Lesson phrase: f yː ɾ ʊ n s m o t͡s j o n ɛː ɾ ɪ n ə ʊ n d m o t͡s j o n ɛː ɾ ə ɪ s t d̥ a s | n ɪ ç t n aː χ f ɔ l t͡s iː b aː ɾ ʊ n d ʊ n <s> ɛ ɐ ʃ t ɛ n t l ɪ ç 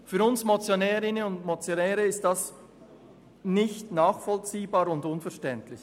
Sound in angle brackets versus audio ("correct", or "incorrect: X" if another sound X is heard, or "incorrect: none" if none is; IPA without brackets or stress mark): incorrect: f